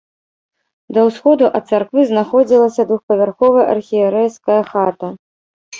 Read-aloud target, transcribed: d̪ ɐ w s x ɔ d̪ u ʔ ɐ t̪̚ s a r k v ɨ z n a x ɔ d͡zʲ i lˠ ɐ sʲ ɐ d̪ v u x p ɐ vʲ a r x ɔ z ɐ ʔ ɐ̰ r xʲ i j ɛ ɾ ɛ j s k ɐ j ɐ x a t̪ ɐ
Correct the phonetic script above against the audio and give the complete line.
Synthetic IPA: d̪ ɐ w s x ɔ d̪ u ʔ ɐ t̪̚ s a r k v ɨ z n a x ɔ d͡zʲ i lˠ ɐ sʲ ɐ d̪ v u x p ɐ vʲ a r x ɔ v ɐ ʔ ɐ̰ r xʲ i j ɛ ɾ ɛ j s k ɐ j ɐ x a t̪ ɐ